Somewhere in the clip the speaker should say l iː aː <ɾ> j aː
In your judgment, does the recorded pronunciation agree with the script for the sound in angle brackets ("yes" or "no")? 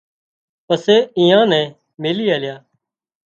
no